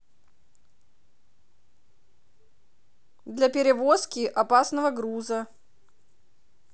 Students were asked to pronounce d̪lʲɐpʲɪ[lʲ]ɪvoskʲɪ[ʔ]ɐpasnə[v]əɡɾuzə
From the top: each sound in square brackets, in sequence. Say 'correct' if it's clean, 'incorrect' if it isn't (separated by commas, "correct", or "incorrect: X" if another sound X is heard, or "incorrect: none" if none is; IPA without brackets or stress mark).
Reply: incorrect: ɾʲ, correct, correct